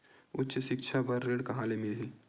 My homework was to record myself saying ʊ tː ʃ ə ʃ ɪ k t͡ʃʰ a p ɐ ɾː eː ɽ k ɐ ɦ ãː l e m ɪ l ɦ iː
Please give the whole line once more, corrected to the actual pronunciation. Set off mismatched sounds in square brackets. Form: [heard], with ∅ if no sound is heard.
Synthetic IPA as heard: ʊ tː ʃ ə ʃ ɪ k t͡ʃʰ a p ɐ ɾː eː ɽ k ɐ ɦ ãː l e m ɪ l ɦ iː